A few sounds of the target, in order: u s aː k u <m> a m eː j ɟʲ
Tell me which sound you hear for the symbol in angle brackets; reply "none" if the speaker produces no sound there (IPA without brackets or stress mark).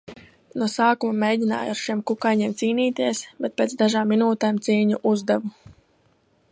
m